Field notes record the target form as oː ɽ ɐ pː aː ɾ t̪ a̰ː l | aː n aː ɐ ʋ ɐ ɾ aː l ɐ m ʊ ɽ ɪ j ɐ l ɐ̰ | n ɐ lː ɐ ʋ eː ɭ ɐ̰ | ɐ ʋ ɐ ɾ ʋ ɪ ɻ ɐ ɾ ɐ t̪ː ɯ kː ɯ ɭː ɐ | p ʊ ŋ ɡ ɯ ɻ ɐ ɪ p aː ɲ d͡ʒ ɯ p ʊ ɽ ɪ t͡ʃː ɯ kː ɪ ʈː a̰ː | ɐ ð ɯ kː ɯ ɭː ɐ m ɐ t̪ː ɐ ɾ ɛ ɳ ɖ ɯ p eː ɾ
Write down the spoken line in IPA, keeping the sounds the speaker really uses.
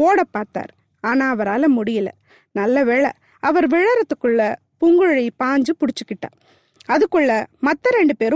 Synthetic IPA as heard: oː ɽ ɐ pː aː ɾ t̪ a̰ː ɾ | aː n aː ɐ ʋ ɐ ɾ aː l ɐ m ʊ ɽ ɪ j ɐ l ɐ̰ | n ɐ lː ɐ ʋ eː ɭ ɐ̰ | ɐ ʋ ɐ ɾ ʋ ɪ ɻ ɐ ɾ ɐ t̪ː ɯ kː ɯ ɭː ɐ | p ʊ ŋ ɡ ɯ ɻ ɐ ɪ p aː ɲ d͡ʒ ɯ p ʊ ɽ ɪ t͡ʃː ɯ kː ɪ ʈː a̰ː | ɐ ð ɯ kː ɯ ɭː ɐ m ɐ t̪ː ɐ ɾ ɛ ɳ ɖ ɯ p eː ɾ